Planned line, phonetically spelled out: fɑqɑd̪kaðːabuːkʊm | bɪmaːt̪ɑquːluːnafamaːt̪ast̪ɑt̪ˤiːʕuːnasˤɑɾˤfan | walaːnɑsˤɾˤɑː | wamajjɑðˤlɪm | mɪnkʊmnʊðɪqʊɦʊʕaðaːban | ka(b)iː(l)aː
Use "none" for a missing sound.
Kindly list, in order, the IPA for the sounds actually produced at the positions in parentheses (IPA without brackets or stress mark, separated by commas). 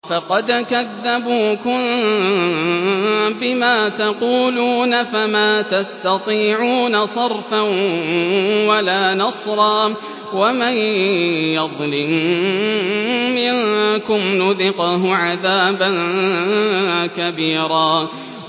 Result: b, ɾ